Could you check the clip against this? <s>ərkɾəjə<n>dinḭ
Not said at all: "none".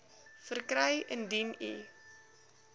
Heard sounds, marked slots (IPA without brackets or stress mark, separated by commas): f, n